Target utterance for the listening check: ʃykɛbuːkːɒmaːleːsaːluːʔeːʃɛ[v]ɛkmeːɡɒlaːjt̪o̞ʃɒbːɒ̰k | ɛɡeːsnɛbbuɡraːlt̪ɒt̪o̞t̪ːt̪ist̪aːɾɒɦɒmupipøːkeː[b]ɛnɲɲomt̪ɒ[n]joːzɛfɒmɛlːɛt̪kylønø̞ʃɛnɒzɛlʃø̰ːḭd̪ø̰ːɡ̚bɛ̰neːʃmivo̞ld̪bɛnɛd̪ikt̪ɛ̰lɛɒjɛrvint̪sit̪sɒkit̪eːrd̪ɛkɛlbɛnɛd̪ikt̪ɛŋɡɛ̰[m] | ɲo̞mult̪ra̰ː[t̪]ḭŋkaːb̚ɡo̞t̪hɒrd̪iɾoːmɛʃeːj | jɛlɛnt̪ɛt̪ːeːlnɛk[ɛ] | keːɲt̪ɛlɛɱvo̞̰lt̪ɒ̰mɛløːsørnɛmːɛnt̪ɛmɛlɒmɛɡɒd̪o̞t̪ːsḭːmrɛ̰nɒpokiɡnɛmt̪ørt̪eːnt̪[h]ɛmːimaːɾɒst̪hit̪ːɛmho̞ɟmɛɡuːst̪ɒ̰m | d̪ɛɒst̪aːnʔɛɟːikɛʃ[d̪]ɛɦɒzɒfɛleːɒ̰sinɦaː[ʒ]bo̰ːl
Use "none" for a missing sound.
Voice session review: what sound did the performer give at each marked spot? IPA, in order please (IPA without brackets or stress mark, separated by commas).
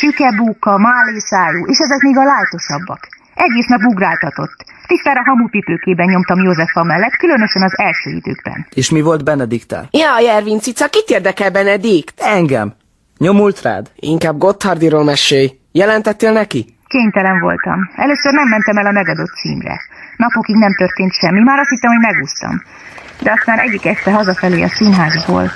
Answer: z, b, m, m, d̪, i, ʃ, t̪, z